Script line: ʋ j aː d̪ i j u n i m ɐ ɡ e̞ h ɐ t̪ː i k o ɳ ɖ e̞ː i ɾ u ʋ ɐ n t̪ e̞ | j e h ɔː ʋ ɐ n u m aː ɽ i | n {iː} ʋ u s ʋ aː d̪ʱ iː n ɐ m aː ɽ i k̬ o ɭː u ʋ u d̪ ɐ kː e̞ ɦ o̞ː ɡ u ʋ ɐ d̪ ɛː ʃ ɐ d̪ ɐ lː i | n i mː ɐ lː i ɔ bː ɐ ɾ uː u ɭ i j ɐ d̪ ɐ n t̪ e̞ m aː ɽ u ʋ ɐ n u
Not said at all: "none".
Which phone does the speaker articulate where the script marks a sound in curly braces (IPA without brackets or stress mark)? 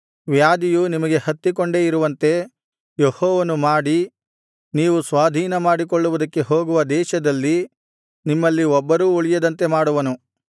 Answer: iː